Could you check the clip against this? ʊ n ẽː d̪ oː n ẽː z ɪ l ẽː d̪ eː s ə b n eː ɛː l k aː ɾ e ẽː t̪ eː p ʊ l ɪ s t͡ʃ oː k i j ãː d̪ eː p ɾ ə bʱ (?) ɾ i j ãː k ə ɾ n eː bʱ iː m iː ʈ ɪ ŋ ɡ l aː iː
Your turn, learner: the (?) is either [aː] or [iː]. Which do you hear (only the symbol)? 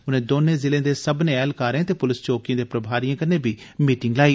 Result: aː